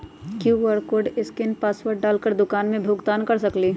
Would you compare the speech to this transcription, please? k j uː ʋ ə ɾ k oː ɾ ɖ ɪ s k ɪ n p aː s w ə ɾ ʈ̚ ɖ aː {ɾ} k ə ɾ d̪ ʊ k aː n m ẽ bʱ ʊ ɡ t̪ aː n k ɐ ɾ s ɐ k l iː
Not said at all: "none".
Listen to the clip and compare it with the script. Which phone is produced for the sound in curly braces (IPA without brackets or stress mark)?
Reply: l